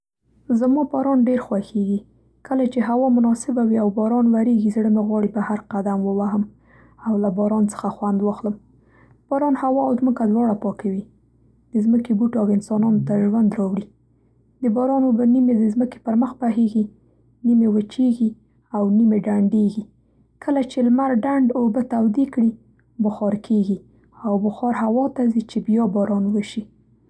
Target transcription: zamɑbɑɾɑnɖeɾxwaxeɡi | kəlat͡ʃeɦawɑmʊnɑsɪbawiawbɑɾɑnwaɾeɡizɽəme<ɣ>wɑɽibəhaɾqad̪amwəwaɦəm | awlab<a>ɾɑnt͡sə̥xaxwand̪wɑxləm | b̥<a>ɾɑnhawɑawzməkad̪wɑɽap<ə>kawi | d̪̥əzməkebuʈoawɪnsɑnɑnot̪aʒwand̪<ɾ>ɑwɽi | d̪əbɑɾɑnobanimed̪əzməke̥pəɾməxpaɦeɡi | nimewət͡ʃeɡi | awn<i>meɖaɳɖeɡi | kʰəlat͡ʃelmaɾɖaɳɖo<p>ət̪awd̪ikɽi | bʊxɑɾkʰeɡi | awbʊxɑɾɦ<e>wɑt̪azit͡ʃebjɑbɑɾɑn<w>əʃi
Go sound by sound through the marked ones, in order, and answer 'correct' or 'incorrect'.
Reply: correct, incorrect: ɑ, incorrect: ɑ, incorrect: ɑ, correct, correct, incorrect: b, incorrect: a, correct

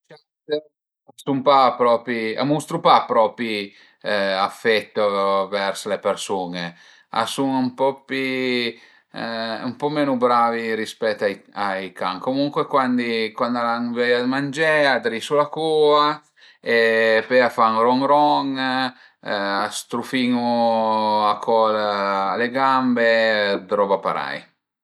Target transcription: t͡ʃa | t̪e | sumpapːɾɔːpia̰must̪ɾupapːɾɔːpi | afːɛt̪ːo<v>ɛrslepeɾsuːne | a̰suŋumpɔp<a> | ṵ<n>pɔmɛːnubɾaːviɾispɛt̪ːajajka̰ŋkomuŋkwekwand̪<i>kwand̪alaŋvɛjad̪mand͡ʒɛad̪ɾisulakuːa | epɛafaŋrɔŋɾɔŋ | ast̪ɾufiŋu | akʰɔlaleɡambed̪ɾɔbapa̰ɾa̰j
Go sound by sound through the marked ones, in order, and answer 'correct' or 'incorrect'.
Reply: correct, incorrect: i, incorrect: m, correct

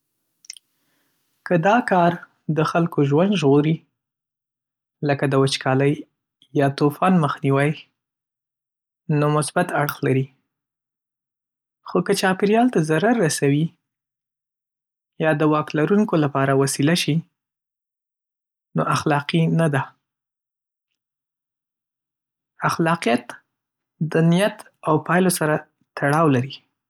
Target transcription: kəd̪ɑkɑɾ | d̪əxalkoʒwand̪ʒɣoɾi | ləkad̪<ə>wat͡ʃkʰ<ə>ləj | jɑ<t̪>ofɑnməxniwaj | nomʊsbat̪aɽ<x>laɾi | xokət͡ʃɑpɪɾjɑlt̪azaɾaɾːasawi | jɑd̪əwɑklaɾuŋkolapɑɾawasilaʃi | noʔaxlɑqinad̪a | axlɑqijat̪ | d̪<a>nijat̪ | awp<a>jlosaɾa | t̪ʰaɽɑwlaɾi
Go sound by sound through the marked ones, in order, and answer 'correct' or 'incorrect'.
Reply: correct, incorrect: ɑ, correct, correct, incorrect: ə, incorrect: ɑ

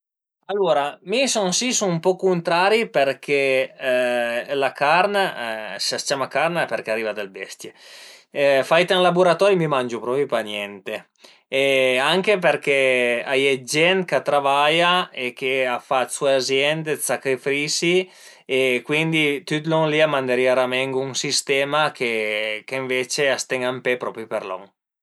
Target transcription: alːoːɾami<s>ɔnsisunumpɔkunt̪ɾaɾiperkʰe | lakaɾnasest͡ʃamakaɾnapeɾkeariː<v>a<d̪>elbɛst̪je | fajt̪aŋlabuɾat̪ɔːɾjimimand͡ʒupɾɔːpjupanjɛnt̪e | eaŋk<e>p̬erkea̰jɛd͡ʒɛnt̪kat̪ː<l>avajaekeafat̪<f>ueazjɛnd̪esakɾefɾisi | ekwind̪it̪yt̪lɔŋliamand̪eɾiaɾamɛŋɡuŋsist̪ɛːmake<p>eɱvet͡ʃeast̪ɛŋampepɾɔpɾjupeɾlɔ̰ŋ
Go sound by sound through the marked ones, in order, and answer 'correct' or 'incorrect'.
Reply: correct, correct, correct, correct, incorrect: ɾ, incorrect: s, incorrect: k

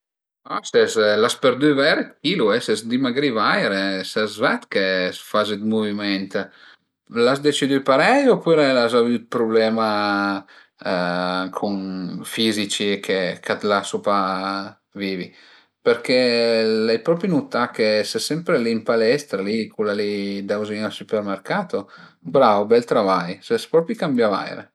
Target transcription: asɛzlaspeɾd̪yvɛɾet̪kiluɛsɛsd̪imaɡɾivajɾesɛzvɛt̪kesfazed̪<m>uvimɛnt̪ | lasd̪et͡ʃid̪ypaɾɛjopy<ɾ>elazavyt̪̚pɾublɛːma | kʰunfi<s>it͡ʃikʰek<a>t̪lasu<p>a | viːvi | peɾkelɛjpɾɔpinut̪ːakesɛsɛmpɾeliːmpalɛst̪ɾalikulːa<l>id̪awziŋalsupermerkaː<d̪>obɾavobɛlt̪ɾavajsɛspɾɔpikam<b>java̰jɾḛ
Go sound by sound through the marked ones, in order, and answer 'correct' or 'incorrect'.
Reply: correct, correct, incorrect: z, correct, correct, correct, incorrect: t̪, correct

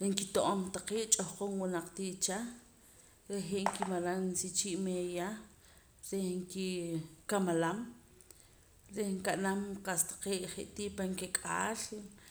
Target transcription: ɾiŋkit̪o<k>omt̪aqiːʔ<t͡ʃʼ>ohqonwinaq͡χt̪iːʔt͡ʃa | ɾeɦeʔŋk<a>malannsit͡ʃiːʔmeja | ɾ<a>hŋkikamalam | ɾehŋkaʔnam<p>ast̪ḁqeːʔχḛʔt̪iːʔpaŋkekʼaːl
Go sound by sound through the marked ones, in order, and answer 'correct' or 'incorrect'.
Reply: incorrect: ʔ, correct, incorrect: i, incorrect: e, incorrect: q

